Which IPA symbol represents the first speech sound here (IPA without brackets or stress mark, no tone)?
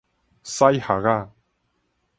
s